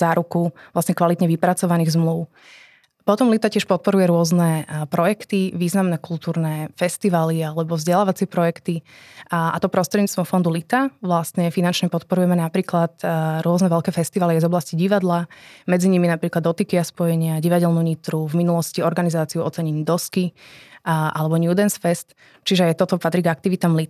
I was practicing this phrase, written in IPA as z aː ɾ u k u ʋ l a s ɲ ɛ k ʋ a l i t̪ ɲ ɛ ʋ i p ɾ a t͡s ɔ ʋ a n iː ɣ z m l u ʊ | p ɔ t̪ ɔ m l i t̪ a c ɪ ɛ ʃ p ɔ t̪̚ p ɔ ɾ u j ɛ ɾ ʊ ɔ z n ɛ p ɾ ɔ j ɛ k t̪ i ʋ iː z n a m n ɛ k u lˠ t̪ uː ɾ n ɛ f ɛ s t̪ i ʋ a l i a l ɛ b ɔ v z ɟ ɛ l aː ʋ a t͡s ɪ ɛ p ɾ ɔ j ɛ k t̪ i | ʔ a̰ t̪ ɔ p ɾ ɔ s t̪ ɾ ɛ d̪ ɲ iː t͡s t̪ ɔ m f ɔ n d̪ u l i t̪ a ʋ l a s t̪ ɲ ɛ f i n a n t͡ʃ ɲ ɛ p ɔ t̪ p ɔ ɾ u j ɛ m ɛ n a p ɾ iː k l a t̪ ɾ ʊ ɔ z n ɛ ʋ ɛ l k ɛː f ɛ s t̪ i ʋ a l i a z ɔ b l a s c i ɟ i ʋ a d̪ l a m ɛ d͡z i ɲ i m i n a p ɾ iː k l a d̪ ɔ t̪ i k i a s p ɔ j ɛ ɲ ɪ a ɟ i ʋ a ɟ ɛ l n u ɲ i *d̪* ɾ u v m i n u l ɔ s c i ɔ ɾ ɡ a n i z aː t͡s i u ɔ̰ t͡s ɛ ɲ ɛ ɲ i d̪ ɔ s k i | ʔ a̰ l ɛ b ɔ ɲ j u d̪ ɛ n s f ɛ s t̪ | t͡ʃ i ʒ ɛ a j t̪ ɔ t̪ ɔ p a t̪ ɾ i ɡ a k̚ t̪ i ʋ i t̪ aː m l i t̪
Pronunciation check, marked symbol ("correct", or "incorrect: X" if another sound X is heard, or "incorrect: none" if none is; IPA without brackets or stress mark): incorrect: t̪